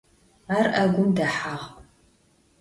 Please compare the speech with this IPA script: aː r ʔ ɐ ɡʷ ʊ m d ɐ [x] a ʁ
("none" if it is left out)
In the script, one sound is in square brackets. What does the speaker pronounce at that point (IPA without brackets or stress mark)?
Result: ħ